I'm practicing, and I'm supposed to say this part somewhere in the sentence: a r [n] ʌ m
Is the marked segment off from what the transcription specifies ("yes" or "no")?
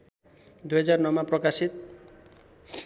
no